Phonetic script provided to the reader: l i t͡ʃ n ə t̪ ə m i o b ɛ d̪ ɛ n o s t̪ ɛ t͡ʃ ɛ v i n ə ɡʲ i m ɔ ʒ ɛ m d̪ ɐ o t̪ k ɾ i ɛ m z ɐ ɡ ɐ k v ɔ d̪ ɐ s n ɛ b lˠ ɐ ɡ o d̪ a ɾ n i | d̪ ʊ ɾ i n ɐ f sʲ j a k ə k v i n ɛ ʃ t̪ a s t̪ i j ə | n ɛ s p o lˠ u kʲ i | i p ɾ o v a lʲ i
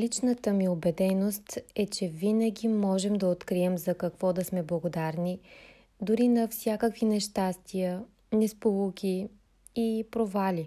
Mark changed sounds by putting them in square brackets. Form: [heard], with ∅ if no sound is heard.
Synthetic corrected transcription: l i t͡ʃ n ə t̪ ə m i o b ɛ d̪ ɛ n o s t̪ ɛ t͡ʃ ɛ v i n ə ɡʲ i m ɔ ʒ ɛ m d̪ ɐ o t̪ k ɾ i ɛ m z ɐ [k] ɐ k v ɔ d̪ ɐ s [m] ɛ b lˠ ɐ ɡ o d̪ a ɾ n i | d̪ ʊ ɾ i n ɐ f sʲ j a k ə k v i n ɛ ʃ t̪ a s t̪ i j ə | n ɛ s p o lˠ u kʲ i | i p ɾ o v a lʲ i